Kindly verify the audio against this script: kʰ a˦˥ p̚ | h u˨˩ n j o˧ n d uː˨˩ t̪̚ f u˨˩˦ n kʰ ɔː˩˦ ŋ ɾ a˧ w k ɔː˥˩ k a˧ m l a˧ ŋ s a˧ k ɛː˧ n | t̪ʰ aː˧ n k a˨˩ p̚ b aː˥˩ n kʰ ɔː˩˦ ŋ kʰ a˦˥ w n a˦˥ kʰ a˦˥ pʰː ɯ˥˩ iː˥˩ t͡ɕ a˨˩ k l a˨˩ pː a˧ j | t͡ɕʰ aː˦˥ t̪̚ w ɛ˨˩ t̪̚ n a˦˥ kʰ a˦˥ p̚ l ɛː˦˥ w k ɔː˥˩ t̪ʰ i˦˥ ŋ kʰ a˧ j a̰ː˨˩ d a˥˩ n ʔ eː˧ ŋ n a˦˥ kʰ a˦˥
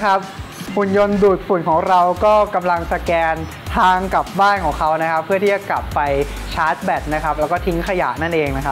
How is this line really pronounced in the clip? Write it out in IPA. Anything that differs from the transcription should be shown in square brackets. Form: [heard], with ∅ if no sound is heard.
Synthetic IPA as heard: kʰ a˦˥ p̚ | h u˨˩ n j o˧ n d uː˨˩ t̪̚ f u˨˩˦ n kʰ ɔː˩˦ ŋ ɾ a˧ w k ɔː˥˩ k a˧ m l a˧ ŋ s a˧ k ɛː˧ n | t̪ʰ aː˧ [ŋ] k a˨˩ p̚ b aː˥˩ n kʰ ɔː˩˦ ŋ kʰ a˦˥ w n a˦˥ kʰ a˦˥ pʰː ɯ˥˩ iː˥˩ t͡ɕ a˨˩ k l a˨˩ pː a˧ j | t͡ɕʰ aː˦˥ t̪̚ [b] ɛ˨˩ t̪̚ n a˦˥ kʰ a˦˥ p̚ l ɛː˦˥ w k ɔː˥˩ t̪ʰ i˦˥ ŋ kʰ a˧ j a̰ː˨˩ [n] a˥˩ n ʔ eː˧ ŋ n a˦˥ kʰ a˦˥